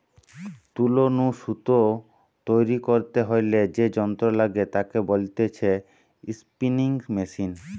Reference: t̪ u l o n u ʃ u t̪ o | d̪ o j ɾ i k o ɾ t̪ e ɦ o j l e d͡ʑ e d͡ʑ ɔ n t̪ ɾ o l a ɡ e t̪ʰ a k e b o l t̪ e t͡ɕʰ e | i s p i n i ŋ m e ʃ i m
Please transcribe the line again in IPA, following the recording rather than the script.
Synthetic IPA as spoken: t̪ u l o n u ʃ u t̪ o | t̪ o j ɾ i k o ɾ t̪ e ɦ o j l e d͡ʑ e d͡ʑ ɔ n t̪ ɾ o l a ɡ e t̪ a k e b o l t̪ e t͡ɕʰ e | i s p i n i ŋ m e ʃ i n